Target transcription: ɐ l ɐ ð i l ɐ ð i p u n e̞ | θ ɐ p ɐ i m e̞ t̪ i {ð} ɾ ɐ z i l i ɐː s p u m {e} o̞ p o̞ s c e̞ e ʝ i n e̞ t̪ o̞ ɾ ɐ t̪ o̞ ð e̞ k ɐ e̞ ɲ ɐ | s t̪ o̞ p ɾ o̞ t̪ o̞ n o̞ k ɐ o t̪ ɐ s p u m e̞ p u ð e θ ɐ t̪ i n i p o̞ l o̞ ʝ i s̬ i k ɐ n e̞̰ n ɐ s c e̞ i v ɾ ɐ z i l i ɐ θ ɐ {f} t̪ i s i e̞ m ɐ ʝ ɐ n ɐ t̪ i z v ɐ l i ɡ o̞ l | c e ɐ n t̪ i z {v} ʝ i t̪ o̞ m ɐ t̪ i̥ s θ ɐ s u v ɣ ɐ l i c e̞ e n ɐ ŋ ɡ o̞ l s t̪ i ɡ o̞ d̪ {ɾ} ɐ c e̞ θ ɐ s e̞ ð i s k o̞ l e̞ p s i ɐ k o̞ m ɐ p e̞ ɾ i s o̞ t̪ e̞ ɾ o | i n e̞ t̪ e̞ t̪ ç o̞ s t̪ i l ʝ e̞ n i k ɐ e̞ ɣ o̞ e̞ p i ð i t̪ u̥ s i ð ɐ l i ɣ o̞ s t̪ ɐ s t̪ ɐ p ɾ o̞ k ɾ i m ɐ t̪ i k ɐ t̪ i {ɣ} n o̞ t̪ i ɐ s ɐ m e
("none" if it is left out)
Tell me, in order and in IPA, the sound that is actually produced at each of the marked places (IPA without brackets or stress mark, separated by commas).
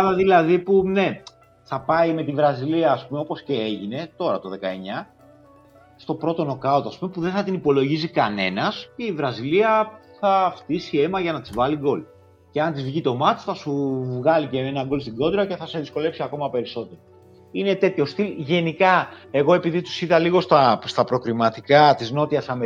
v, e, f, v, ɾ, z